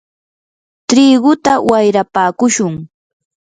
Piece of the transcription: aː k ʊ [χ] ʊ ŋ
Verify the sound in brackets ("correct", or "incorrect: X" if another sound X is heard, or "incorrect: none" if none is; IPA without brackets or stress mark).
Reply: incorrect: ʃ